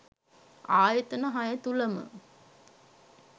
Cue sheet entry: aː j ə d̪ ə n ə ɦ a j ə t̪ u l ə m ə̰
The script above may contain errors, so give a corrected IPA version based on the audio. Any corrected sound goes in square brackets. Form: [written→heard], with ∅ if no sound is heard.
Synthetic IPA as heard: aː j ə [d̪→t̪] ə n ə ɦ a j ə t̪ u l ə m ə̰